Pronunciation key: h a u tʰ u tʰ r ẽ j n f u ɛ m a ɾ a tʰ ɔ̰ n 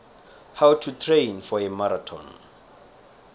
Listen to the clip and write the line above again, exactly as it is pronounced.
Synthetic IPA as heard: h a w tʰ u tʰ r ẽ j n f ɔ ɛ m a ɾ a tʰ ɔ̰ n